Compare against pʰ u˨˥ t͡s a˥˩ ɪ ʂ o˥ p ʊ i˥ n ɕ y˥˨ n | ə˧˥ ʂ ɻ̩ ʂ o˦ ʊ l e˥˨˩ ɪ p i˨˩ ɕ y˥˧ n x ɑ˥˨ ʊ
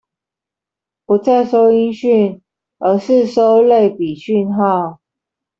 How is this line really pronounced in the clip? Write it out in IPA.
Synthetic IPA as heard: p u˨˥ t͡s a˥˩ ɪ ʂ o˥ ʊ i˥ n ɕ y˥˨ n | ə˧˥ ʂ ɻ̩ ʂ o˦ ʊ l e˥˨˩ ɪ p i˨˩ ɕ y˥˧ n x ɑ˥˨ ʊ